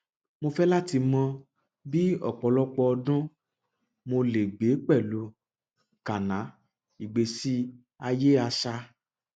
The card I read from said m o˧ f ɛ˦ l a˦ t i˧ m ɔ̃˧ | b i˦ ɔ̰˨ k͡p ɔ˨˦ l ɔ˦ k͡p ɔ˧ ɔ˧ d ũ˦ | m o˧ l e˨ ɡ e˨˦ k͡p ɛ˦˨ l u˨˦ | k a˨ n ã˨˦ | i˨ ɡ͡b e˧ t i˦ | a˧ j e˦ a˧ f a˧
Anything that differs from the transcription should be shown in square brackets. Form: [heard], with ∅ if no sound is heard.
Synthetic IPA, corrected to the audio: m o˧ f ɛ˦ l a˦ t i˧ m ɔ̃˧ | b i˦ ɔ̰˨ k͡p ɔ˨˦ l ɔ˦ k͡p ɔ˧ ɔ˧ d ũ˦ | m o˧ l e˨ [ɡ͡b] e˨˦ k͡p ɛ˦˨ l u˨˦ | k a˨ n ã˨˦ | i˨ ɡ͡b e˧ [s] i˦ | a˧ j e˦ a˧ [ʃ] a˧

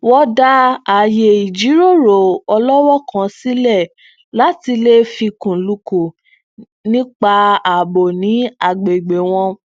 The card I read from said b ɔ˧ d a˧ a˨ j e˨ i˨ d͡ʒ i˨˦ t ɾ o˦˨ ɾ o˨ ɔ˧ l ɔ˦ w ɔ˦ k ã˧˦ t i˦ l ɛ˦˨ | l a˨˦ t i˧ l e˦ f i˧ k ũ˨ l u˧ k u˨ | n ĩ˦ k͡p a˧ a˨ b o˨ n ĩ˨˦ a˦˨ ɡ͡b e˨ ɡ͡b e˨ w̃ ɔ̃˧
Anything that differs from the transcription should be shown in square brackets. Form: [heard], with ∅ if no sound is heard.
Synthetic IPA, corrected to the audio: [w] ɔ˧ d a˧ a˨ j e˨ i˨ d͡ʒ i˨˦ [∅] ɾ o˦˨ ɾ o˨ ɔ˧ l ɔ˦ w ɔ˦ k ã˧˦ [s] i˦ l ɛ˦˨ | l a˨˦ t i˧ l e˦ f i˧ k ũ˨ l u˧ k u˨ | n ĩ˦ k͡p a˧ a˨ b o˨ n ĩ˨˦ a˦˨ ɡ͡b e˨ ɡ͡b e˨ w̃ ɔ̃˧

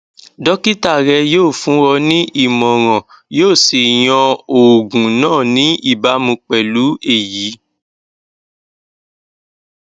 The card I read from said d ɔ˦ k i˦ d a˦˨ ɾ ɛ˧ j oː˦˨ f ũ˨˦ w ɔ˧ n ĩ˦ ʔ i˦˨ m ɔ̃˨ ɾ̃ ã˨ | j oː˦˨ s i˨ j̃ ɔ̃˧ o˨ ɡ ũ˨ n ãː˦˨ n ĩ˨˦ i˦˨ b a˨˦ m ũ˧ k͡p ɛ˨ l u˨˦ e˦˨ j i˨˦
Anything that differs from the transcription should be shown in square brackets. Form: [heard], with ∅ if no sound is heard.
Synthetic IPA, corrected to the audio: d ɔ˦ k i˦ [t] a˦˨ ɾ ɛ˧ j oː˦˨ f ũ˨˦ w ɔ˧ n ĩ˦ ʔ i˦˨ m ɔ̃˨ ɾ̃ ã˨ | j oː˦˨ s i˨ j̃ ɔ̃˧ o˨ ɡ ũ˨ n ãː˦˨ n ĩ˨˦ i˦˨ b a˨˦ m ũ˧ k͡p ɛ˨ l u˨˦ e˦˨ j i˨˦

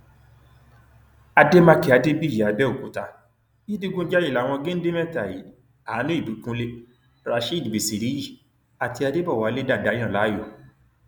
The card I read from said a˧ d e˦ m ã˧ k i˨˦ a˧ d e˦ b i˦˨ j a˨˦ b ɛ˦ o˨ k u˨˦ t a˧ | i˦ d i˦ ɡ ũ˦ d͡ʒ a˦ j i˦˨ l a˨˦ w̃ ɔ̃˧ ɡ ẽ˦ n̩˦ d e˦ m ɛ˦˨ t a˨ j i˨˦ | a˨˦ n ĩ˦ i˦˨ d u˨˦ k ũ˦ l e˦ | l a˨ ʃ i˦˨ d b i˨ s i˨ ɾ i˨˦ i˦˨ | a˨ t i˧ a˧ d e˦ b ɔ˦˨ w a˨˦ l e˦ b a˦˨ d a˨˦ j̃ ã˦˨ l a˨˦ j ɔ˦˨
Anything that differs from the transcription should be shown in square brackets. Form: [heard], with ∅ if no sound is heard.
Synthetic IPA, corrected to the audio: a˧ d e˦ m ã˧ k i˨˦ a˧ d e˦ b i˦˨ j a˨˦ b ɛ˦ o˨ k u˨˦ t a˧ | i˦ d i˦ ɡ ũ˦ d͡ʒ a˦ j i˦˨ l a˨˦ w̃ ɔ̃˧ ɡ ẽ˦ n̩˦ d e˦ m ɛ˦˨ t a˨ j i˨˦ | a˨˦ n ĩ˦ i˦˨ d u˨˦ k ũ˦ l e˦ | [ɾ] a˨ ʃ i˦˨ d b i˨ s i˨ ɾ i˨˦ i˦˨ | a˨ t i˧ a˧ d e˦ b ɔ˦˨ w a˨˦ l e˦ [d] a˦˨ d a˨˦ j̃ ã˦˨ l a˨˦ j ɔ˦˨

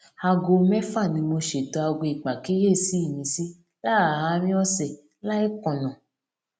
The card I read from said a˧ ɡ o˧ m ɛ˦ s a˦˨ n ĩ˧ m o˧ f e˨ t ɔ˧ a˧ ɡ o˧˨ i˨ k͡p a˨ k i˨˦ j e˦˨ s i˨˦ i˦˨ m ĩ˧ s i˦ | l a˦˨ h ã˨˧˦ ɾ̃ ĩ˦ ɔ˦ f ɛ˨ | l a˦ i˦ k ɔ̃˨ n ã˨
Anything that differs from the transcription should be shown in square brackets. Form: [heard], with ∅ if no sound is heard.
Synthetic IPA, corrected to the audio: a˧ ɡ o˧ m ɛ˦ [f] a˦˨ n ĩ˧ m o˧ [ʃ] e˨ t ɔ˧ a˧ ɡ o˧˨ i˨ k͡p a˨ k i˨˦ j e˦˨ s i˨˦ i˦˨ m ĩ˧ s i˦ | l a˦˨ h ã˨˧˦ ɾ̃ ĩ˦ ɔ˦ [s] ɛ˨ | l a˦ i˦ k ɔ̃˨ n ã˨

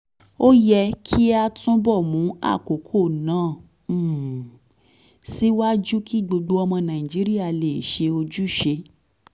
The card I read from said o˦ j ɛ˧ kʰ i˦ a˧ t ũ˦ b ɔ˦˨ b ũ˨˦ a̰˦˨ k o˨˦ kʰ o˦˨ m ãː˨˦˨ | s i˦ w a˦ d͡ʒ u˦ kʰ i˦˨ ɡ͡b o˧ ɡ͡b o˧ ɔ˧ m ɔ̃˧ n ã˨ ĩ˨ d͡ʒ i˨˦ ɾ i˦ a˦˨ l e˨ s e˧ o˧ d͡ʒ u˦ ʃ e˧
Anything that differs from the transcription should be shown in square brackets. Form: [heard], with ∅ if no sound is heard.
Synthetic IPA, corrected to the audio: o˦ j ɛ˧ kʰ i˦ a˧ t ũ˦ b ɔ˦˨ [m] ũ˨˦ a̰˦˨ k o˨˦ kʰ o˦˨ [n] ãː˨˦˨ | s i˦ w a˦ d͡ʒ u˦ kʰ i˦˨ ɡ͡b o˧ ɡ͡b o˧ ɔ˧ m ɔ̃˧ n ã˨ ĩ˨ d͡ʒ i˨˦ ɾ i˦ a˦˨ l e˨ [ʃ] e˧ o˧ d͡ʒ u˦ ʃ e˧

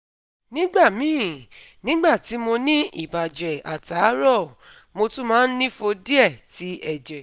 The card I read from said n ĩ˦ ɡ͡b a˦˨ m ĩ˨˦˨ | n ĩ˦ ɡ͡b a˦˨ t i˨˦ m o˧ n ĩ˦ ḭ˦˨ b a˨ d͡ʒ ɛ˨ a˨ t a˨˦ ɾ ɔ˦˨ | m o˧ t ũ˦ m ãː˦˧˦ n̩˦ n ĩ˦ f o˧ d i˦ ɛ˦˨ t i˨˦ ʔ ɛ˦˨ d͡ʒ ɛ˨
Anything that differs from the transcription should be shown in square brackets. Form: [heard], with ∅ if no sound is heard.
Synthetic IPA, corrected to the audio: n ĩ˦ ɡ͡b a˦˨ m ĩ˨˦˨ | n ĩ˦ ɡ͡b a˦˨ t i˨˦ m o˧ n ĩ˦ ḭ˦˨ b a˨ d͡ʒ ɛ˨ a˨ t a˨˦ ɾ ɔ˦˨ | m o˧ t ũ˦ m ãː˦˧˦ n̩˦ n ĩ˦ f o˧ d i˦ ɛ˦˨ t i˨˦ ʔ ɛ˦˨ d͡ʒ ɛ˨

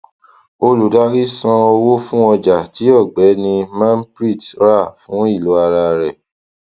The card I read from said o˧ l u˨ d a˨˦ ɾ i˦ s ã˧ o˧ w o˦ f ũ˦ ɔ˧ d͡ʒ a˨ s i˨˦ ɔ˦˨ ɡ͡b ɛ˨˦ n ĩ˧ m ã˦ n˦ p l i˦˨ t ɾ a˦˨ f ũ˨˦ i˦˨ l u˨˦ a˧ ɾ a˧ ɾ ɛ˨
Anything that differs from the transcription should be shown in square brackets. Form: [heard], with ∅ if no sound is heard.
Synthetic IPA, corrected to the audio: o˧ l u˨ d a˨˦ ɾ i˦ s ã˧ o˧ w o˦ f ũ˦ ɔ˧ d͡ʒ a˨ [t] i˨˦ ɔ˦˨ ɡ͡b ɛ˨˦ n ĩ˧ m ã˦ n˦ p [ɾ] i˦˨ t ɾ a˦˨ f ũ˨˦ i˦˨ l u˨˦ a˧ ɾ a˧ ɾ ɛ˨

